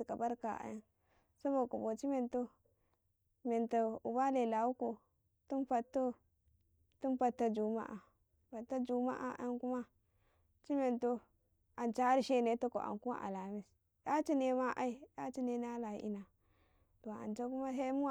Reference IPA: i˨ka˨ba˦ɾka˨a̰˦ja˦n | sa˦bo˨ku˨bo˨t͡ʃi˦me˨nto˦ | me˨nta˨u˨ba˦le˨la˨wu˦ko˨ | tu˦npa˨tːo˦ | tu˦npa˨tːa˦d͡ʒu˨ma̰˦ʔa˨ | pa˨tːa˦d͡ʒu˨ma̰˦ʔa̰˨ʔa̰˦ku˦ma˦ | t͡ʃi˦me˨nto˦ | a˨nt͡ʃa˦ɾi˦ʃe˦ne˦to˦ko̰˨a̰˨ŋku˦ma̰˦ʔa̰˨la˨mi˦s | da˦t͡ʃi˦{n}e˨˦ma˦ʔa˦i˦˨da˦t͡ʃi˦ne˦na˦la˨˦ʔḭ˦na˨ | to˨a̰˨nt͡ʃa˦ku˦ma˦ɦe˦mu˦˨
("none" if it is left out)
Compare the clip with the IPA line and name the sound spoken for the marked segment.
n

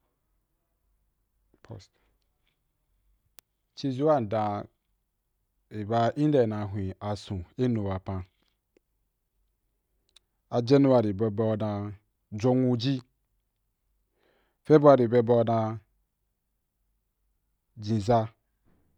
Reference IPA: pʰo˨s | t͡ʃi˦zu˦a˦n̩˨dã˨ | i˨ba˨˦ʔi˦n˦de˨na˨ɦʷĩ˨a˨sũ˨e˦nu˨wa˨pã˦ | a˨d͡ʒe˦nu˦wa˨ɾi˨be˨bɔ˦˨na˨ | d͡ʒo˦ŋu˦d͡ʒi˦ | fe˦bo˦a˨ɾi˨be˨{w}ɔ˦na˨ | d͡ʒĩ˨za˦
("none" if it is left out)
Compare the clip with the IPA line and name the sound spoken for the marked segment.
b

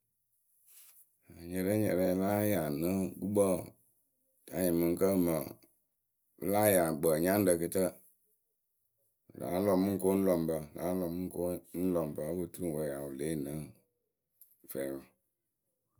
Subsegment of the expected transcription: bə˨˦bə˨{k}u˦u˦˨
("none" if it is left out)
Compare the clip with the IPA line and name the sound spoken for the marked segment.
t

